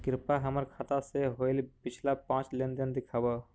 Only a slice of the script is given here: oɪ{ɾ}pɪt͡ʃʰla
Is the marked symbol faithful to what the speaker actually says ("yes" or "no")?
no